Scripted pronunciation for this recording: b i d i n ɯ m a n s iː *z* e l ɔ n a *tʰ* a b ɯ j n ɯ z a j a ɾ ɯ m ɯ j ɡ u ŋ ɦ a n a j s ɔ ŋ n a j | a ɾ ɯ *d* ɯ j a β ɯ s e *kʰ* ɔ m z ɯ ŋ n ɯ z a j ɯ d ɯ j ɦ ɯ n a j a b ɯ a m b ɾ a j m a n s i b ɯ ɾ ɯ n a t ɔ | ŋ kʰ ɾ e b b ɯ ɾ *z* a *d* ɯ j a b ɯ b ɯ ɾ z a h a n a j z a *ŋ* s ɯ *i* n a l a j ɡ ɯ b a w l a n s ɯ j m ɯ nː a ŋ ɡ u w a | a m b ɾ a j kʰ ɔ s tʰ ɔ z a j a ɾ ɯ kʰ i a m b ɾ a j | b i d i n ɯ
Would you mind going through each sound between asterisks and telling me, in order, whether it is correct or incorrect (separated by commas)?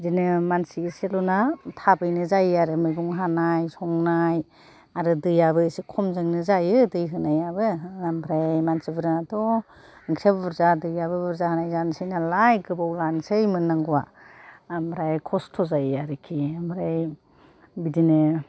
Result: incorrect, correct, correct, correct, correct, correct, incorrect, incorrect